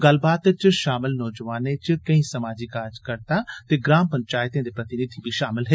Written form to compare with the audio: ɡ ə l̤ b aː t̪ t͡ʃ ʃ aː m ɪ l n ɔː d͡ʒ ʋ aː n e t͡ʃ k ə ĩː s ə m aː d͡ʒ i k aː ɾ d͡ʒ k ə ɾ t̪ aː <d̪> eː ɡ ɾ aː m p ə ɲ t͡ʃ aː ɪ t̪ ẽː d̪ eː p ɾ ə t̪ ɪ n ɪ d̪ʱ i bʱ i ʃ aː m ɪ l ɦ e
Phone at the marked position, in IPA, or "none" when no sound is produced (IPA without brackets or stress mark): t̪